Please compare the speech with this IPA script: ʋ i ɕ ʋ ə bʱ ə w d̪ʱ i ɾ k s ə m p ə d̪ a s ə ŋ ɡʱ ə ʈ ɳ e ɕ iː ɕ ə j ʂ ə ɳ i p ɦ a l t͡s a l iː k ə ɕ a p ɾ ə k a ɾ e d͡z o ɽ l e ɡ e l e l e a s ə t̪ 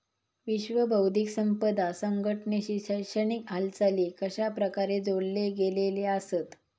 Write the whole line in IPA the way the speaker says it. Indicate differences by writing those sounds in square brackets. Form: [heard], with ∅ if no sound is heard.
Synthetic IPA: ʋ i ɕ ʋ ə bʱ ə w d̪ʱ i [∅] k s ə m p ə d̪ a s ə ŋ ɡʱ ə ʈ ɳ e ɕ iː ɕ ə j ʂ ə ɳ i [k] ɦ a l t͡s a l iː k ə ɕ a p ɾ ə k a ɾ e d͡z o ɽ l e ɡ e l e l e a s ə t̪